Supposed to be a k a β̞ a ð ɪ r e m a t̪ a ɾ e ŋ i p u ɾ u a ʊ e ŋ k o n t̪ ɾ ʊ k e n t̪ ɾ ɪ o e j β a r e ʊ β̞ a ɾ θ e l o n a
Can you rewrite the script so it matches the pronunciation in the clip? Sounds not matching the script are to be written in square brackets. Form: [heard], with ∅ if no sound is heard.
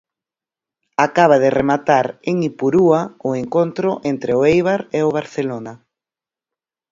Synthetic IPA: a k a β̞ a ð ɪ r e m a t̪ a ɾ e ŋ i p u ɾ u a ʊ e ŋ k o n t̪ ɾ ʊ [ʔ] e n t̪ ɾ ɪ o e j β a [ɾ] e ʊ β̞ a ɾ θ e l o n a